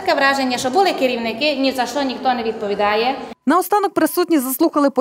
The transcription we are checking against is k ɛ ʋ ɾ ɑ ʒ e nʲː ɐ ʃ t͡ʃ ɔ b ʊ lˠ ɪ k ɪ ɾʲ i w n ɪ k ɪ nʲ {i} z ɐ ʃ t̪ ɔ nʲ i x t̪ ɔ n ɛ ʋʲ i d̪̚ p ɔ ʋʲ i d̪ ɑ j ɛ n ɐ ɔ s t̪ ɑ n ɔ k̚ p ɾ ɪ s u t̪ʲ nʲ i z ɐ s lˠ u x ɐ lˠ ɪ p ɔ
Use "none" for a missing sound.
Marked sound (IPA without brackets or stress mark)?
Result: i